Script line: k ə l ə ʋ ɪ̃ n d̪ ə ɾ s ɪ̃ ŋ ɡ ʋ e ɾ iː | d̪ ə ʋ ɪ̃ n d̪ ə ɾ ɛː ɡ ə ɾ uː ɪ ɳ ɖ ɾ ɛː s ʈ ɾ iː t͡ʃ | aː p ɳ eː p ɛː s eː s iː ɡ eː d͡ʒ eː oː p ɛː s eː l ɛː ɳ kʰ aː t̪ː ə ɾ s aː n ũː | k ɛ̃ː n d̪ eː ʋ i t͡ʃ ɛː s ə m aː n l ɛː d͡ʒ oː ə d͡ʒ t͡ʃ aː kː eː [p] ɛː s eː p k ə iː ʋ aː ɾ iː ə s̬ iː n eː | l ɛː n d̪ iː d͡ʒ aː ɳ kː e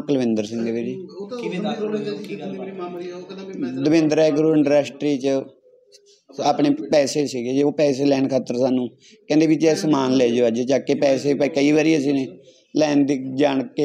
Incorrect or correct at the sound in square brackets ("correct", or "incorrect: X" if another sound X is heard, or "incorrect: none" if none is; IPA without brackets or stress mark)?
correct